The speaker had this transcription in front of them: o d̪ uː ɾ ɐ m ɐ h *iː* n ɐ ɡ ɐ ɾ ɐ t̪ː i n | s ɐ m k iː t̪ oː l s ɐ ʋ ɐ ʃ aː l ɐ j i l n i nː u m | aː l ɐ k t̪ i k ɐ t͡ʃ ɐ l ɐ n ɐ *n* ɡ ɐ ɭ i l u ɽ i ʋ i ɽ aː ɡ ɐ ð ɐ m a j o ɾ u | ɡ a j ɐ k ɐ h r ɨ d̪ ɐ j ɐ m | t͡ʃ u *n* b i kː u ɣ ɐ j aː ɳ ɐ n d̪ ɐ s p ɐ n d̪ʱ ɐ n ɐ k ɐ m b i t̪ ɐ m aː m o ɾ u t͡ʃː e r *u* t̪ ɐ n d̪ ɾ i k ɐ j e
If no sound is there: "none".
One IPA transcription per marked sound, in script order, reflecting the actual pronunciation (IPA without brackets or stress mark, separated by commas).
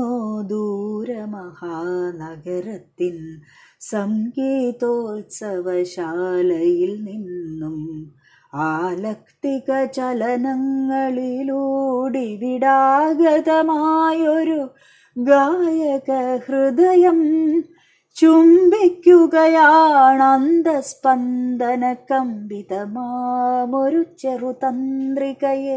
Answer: aː, ŋ, m, u